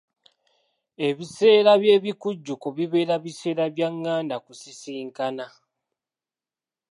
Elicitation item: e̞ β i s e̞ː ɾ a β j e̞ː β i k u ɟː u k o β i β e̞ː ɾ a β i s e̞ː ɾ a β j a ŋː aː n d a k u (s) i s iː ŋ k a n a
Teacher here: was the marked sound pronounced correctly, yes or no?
yes